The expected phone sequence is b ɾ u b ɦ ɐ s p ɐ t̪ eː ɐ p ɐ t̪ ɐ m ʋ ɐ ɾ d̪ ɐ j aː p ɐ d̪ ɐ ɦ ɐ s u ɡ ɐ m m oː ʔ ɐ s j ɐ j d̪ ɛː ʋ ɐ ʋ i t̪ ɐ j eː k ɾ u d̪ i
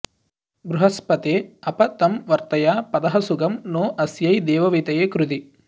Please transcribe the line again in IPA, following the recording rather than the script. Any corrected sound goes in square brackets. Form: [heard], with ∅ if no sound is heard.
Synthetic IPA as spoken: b ɾ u [∅] ɦ ɐ s p ɐ t̪ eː ɐ p ɐ t̪ ɐ m ʋ ɐ ɾ [t̪] ɐ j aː p ɐ d̪ ɐ ɦ ɐ s u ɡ ɐ m [n] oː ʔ ɐ s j ɐ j d̪ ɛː ʋ ɐ ʋ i t̪ ɐ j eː k ɾ u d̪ i